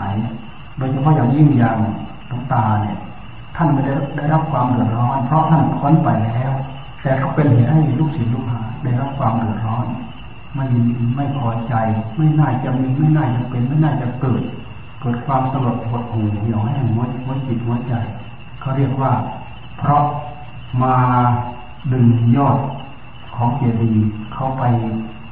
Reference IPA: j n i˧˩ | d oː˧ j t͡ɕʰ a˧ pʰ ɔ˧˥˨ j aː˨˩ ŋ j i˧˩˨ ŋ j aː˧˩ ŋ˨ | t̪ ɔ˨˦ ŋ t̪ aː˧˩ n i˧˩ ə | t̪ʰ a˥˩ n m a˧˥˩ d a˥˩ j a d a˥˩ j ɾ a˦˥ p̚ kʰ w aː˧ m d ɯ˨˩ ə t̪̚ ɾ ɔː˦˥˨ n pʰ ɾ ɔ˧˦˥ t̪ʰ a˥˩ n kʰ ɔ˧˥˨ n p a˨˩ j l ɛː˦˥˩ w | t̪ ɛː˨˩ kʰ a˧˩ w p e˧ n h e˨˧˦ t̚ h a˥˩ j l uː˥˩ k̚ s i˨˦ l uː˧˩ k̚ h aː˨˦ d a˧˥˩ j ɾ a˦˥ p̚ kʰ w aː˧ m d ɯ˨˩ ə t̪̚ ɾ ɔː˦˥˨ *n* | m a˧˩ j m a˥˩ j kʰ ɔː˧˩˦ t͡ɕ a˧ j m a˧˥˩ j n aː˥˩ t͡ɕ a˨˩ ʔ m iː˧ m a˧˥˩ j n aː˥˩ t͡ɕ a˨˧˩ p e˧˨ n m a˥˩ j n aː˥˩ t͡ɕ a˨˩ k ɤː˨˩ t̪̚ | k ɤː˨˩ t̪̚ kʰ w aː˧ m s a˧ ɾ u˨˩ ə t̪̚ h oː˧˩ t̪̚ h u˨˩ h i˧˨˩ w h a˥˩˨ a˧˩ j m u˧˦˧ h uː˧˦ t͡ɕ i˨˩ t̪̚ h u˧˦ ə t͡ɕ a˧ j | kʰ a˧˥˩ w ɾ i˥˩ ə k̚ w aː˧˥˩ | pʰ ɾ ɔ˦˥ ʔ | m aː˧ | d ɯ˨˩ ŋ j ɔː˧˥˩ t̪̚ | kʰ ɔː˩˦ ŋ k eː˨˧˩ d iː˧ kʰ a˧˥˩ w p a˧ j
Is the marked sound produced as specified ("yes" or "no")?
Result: yes